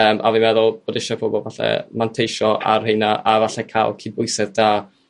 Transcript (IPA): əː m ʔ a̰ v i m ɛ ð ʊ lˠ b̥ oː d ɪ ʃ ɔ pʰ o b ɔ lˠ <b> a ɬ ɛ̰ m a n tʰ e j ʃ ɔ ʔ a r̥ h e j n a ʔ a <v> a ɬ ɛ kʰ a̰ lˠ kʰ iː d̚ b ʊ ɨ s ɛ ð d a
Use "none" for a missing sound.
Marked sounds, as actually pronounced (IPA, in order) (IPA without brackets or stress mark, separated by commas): v, v